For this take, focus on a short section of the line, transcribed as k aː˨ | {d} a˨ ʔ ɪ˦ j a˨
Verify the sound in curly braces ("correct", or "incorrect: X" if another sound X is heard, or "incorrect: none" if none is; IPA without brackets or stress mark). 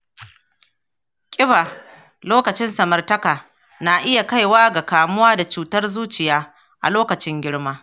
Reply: incorrect: n